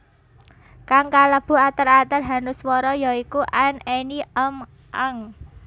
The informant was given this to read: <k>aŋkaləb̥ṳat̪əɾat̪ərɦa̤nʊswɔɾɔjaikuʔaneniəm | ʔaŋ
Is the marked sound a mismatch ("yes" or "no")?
no